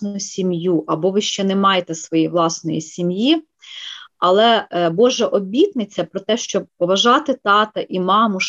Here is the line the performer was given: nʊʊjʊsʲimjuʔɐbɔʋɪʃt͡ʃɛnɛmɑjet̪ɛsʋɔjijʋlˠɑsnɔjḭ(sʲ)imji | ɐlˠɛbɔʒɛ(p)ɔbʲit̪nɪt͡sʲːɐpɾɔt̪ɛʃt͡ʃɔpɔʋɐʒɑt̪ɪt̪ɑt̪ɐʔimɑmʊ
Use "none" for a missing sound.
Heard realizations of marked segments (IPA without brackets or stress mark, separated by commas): sʲ, ʔ